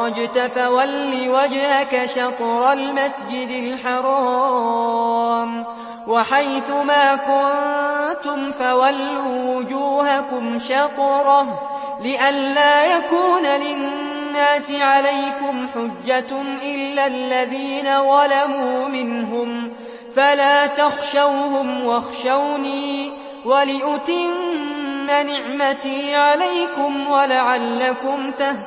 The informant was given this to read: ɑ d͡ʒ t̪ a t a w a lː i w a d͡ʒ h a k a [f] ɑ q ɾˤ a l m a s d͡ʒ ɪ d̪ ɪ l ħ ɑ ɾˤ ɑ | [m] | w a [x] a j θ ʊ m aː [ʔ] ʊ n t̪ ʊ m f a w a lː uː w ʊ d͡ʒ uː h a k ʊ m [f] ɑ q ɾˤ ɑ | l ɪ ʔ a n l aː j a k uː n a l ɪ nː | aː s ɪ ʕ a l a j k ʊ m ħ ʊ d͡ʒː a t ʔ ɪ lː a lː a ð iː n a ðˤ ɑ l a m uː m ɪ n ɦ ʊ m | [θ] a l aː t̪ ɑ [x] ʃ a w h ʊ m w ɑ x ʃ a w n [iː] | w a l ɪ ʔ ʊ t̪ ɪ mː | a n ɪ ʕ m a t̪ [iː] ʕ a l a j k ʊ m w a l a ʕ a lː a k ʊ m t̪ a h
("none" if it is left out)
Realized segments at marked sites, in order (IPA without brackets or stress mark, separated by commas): ʃ, m, ħ, k, ʃ, f, x, iː, iː